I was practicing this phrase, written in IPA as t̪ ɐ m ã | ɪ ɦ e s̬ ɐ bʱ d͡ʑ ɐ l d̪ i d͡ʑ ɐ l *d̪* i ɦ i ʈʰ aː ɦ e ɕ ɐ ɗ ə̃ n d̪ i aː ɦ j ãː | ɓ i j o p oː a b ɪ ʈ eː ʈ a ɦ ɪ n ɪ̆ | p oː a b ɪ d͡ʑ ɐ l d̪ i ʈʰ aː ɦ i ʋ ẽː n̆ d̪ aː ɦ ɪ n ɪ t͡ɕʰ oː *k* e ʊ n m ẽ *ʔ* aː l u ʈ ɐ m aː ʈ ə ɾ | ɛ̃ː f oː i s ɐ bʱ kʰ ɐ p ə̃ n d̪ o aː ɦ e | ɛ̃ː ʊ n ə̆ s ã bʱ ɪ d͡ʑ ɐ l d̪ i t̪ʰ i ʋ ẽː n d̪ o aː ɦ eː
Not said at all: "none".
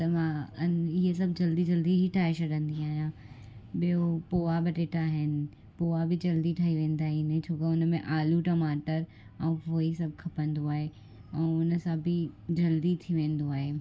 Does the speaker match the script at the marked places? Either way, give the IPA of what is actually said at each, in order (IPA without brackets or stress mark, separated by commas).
d̪, k, ʔ